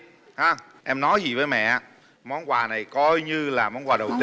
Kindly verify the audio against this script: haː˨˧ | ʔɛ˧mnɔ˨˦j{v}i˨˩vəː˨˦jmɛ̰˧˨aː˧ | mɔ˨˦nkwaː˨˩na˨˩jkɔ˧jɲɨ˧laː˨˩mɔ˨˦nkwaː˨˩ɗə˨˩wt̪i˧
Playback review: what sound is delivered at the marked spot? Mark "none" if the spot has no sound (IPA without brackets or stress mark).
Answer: z